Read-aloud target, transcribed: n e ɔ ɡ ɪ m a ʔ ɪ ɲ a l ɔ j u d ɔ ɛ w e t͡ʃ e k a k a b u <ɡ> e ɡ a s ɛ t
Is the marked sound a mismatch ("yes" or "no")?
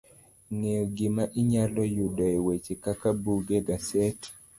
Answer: no